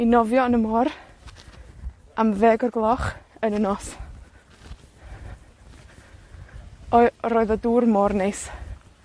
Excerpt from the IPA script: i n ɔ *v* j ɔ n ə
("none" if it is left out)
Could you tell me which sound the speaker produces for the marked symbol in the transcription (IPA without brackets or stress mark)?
v